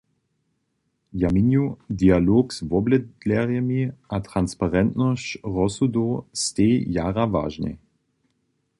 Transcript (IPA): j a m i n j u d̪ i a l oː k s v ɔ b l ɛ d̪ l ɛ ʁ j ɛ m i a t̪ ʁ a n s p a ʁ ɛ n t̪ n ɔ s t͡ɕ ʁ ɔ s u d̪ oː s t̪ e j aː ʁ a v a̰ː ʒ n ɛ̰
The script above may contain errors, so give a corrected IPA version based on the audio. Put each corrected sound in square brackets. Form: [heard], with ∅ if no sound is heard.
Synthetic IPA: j a m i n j u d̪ i a l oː k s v ɔ b l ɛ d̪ l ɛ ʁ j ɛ m i a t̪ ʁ a n s p a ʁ ɛ n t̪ n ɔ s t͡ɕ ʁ ɔ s u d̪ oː s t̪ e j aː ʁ a v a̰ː ʒ n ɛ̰

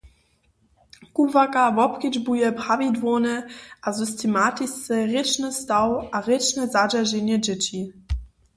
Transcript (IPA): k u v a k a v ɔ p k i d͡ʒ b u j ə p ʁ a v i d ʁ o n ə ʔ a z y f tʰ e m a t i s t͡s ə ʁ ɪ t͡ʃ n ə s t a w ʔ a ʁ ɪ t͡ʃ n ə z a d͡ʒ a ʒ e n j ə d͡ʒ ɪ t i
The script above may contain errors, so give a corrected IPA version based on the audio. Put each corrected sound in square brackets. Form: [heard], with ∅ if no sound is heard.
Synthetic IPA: k u v a k a v ɔ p k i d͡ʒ b u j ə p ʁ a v i d [v] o n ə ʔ a z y [s] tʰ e m a t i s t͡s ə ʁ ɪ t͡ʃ n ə s t a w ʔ a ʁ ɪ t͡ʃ n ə z a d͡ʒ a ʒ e n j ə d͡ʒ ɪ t i

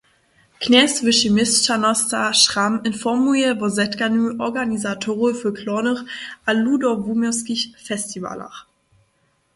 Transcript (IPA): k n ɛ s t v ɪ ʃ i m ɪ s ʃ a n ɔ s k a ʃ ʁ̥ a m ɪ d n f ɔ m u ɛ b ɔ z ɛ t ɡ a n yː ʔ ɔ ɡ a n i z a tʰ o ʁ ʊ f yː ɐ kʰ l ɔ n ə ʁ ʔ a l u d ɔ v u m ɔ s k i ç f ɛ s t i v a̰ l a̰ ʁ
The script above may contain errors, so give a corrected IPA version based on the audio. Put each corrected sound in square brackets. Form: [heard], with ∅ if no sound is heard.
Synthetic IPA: k n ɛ s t v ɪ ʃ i m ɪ s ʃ a n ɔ s [t] a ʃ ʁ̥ a m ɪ [∅] n f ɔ m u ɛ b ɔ z ɛ t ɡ a n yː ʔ ɔ ɡ a n i z a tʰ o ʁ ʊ f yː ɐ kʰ l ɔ n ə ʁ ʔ a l u d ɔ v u m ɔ s k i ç f ɛ s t i v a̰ l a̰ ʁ

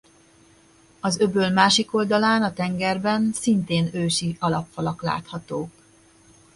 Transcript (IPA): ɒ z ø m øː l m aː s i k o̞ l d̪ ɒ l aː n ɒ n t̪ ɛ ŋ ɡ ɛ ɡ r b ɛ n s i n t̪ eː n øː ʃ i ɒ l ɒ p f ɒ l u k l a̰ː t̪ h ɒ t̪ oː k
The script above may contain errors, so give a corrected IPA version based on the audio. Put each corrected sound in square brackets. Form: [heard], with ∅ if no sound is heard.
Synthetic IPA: ɒ z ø [b] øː l m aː [ʃ] i k o̞ l d̪ ɒ l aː n ɒ [∅] t̪ ɛ ŋ ɡ ɛ [∅] r b ɛ n s i n t̪ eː n øː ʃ i ɒ l ɒ p f ɒ l [ɒ] k l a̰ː t̪ h ɒ t̪ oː k

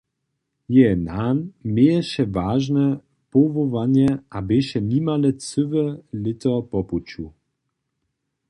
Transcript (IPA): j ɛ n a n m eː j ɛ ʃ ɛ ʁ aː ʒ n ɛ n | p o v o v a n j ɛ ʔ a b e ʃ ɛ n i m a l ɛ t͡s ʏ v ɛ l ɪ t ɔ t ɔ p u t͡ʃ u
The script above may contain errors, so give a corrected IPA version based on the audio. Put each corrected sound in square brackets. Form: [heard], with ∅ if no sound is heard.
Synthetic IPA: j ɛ n a n m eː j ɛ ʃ ɛ [v] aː ʒ n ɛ [∅] | p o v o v a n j ɛ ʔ a b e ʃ ɛ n i m a l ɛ t͡s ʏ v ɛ l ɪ t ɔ [p] ɔ p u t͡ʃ u

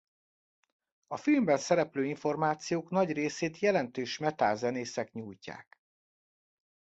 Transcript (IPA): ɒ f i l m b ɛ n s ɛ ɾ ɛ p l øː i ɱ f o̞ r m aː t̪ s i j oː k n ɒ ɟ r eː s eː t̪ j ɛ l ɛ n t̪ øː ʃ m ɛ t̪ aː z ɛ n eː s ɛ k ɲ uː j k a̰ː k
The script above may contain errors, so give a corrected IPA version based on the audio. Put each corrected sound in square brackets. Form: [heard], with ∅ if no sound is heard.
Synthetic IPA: ɒ f i l m b ɛ n s ɛ ɾ ɛ p l øː i ɱ f o̞ r m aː t̪ s i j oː k n ɒ ɟ r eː s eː t̪ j ɛ l ɛ n t̪ øː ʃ m ɛ t̪ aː z ɛ n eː s ɛ k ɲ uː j [c] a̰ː k

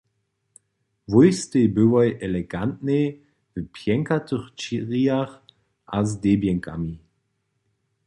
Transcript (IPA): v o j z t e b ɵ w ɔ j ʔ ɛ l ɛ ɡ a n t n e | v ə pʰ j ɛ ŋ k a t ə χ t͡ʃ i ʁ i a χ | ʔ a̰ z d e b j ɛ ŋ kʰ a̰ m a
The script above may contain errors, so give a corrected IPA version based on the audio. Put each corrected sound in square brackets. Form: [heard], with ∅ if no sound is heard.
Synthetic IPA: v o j [s] t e b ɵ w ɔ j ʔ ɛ l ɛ ɡ a n t n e | v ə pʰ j ɛ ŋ k a t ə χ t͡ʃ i ʁ i a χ | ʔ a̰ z d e b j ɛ ŋ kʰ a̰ m [i]

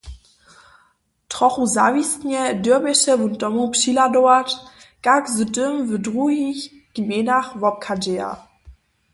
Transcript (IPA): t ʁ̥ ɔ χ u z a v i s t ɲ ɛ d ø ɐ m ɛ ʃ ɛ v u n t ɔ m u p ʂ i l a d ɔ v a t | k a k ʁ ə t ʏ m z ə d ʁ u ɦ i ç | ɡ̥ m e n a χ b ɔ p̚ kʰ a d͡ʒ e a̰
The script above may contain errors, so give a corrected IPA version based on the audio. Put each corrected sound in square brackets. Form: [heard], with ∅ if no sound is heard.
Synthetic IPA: t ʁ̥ ɔ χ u z a v i s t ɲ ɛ d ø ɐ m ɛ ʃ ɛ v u n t ɔ m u p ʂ i l a d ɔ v a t | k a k [z] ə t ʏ m [v] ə d ʁ u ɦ i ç | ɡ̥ m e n a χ [v] ɔ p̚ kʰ a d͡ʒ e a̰

